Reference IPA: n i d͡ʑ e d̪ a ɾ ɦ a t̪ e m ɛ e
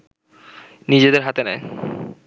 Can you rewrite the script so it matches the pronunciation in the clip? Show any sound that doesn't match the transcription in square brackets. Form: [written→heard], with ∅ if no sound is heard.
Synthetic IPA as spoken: n i d͡ʑ e d̪ [a→e] ɾ ɦ a t̪ e [m→n] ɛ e